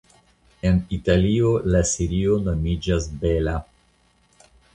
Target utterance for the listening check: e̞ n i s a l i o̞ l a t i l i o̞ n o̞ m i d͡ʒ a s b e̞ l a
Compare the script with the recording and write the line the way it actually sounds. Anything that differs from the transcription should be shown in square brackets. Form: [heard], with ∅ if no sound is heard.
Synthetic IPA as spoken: e̞ n i [t] a l i o̞ l a [s] i [ɾ] i o̞ n o̞ m i d͡ʒ a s b e̞ l a